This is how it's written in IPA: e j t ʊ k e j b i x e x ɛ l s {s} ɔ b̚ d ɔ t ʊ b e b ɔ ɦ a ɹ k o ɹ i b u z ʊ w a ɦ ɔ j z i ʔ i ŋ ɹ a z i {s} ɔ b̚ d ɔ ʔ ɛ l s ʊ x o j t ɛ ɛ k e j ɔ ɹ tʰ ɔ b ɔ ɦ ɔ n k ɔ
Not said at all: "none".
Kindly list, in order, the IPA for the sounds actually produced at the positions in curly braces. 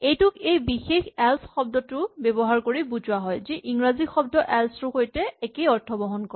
x, x

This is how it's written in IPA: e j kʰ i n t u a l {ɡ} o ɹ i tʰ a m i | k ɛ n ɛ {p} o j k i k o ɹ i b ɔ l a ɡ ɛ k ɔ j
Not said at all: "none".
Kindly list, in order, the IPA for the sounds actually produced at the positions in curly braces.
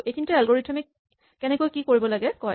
ɡ, k

